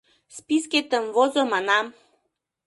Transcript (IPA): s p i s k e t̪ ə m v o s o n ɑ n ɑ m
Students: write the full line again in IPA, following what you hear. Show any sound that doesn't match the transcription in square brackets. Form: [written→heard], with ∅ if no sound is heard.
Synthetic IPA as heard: s p i s k e t̪ ə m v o [s→z] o [n→m] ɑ n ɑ m